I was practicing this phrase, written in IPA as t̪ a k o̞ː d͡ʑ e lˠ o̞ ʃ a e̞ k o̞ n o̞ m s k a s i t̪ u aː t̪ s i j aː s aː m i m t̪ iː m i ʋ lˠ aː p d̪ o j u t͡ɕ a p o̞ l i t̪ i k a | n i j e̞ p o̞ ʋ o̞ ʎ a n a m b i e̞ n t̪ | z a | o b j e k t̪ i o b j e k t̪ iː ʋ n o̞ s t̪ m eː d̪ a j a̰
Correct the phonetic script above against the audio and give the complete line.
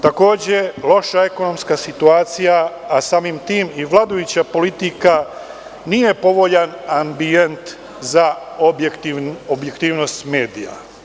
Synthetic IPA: t̪ a k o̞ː d͡ʑ e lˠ o̞ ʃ a e̞ k o̞ n o̞ m s k a s i t̪ u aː t̪ s i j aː s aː m i m t̪ iː m i ʋ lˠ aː d̪ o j u t͡ɕ a p o̞ l i t̪ i k a | n i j e̞ p o̞ ʋ o̞ ʎ a n a m b i e̞ n t̪ | z a | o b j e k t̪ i o b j e k t̪ iː ʋ n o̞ s t̪ m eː d̪ i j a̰